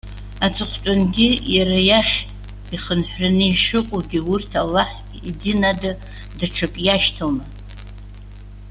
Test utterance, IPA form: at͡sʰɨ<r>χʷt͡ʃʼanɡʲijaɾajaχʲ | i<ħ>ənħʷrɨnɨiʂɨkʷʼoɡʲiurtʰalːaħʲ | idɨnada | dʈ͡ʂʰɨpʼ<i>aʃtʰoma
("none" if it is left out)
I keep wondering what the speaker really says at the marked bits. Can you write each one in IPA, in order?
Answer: none, χ, j

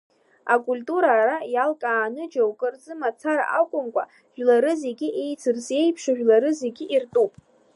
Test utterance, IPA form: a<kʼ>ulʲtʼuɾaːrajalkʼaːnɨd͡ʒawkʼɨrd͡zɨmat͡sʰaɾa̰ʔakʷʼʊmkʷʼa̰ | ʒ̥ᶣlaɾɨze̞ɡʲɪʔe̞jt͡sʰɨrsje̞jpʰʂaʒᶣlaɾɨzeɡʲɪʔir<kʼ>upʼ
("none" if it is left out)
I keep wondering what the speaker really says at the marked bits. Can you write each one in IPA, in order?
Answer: kʼ, tʼ

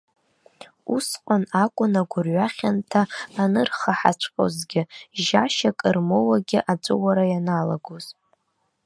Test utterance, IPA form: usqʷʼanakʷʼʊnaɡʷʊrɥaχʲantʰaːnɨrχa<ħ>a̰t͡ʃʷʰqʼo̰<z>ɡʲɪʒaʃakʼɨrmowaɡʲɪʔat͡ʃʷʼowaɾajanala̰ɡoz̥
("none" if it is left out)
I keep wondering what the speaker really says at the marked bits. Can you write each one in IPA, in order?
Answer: ħ, z

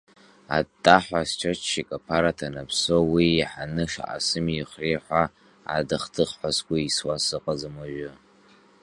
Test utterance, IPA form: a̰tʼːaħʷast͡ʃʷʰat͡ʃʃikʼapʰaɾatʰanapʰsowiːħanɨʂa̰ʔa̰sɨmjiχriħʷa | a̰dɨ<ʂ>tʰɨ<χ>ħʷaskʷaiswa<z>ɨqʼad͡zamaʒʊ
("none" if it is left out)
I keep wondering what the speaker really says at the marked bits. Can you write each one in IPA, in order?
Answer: χ, χ, s

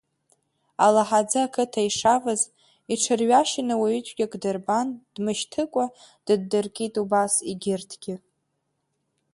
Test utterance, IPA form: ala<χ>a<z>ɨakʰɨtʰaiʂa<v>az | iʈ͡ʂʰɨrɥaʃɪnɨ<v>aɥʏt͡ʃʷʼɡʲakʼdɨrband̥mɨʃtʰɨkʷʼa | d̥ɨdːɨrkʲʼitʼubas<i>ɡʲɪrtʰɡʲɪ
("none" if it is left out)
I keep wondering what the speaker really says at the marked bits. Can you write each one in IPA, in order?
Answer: ħ, d͡z, v, w, i

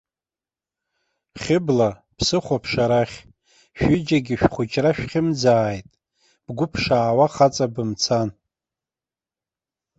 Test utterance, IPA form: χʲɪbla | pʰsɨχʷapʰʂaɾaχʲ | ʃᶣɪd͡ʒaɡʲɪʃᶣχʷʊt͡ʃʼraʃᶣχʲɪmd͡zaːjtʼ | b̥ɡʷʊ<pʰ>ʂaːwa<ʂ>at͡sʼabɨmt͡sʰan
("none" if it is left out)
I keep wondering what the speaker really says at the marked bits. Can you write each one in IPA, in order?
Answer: pʰ, χ

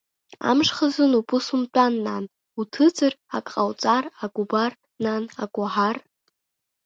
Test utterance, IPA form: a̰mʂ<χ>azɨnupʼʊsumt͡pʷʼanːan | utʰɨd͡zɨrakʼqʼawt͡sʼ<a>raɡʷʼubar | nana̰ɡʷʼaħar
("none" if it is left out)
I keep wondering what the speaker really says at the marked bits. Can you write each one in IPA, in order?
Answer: χ, a

